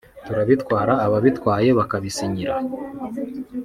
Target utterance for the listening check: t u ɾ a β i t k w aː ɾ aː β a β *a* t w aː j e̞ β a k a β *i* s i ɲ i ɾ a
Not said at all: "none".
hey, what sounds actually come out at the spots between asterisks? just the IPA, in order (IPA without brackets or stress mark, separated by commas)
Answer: i, i